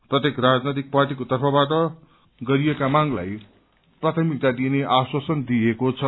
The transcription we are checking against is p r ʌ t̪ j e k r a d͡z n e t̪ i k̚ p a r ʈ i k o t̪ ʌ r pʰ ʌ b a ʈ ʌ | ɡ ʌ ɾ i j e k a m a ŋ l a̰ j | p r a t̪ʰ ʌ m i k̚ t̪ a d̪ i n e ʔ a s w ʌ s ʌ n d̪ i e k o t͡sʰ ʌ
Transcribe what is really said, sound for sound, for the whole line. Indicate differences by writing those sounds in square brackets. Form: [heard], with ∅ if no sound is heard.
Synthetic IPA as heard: p r ʌ t̪ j e k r a d͡z n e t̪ i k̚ p a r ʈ i k o t̪ ʌ r pʰ ʌ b a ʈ ʌ | ɡ ʌ ɾ i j e k a m a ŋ l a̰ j | p r a t̪ʰ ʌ m i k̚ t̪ a d̪ i n e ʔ a s w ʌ s ʌ n d̪ i e k o t͡sʰ ʌ

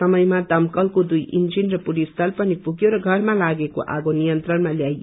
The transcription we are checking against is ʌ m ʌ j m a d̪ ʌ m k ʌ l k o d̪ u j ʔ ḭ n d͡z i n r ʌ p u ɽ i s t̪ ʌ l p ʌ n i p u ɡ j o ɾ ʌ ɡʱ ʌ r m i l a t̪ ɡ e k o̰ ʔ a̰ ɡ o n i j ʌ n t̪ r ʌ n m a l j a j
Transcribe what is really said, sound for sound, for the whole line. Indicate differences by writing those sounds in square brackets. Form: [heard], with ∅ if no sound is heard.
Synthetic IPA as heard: ʌ m ʌ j m a d̪ ʌ m k ʌ l k o d̪ u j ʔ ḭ n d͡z i n r ʌ p u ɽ i s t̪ ʌ l p ʌ n i p u ɡ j o ɾ ʌ ɡʱ ʌ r m [a] l a [∅] ɡ e k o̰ ʔ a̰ ɡ o n i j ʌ n t̪ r ʌ n m a l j a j

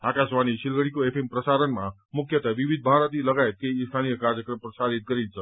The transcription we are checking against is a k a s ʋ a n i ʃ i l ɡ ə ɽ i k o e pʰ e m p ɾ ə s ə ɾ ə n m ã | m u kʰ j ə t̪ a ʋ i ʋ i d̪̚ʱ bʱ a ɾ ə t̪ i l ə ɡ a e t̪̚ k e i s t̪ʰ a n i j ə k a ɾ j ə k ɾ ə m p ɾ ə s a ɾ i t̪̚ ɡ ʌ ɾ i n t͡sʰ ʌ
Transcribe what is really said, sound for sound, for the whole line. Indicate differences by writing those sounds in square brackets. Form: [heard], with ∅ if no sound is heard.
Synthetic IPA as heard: a k a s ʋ a n i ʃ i l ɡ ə ɽ i k o e pʰ e m p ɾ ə s [a] ɾ ə n m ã | m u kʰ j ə t̪ a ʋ i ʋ i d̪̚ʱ bʱ a ɾ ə t̪ i l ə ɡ a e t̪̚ k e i s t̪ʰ a n i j ə k a ɾ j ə k ɾ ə m p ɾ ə s a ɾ i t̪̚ ɡ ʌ ɾ i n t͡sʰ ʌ

